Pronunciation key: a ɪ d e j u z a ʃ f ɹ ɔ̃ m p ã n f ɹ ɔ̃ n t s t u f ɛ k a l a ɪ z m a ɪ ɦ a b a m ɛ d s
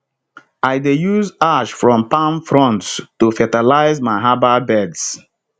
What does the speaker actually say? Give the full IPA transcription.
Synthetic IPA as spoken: a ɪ d e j u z a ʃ f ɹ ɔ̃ m p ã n f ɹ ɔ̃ n t s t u f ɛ t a l a ɪ z m a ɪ ɦ a b a b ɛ d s